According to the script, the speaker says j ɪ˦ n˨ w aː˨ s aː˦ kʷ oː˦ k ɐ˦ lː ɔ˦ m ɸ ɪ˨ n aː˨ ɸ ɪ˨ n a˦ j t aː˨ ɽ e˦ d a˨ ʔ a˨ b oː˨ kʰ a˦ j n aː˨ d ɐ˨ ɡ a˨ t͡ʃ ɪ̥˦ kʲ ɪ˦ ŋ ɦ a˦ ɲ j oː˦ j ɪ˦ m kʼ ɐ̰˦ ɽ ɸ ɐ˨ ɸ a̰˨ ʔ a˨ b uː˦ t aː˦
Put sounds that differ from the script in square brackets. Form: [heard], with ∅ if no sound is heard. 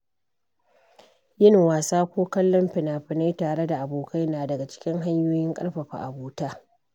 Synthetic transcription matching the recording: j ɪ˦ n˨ w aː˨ s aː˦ kʷ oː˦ k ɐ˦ lː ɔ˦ m ɸ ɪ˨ n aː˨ ɸ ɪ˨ n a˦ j t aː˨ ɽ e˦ d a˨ ʔ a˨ b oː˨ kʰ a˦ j n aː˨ d ɐ˨ ɡ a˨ t͡ʃ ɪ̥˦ kʲ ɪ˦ ŋ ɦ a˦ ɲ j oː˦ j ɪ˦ [ŋ] kʼ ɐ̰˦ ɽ ɸ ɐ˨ ɸ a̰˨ ʔ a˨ b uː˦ t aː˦